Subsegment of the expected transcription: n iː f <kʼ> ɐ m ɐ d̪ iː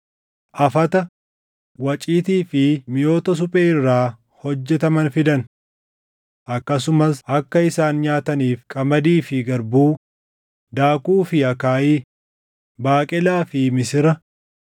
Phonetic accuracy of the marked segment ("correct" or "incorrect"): correct